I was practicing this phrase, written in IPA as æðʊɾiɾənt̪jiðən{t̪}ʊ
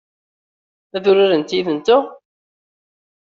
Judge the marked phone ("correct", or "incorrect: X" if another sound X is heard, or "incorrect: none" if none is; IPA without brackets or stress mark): correct